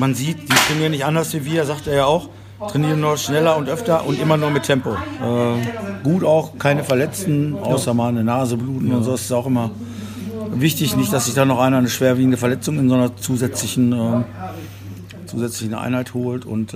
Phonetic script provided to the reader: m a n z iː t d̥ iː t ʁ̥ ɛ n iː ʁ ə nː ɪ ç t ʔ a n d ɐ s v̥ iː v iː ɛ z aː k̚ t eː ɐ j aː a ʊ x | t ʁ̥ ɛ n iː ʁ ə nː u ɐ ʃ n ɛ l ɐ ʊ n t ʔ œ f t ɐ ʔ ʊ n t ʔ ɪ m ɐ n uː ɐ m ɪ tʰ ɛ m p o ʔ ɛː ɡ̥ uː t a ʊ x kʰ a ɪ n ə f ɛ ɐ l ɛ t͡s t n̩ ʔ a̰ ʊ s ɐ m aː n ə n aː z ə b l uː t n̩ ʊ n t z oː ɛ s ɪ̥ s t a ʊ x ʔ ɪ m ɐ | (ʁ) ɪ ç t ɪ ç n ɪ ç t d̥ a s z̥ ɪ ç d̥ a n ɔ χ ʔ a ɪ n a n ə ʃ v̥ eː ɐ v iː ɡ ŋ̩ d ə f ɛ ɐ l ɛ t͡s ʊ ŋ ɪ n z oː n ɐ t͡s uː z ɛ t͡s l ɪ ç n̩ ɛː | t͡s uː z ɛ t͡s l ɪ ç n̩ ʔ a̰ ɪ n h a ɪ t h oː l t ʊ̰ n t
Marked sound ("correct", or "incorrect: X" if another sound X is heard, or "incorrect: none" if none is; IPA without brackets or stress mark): incorrect: v